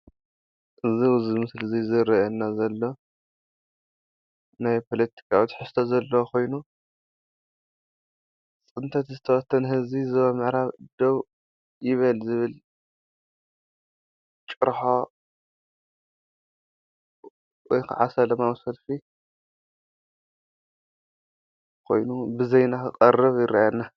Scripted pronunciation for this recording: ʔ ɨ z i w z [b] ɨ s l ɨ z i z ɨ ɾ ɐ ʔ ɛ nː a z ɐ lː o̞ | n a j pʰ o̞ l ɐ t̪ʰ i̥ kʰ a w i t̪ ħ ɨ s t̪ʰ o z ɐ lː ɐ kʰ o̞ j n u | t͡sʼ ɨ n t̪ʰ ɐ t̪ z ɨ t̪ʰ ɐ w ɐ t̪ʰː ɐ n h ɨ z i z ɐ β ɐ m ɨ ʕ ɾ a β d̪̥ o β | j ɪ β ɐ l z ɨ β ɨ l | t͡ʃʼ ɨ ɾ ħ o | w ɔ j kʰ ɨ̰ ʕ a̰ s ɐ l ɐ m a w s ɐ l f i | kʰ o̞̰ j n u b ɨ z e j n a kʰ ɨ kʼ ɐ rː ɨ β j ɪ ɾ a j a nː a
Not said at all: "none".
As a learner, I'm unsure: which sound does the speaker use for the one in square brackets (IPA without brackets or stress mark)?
m